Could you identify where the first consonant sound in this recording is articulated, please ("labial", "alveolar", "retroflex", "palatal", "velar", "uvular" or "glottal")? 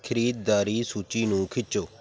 velar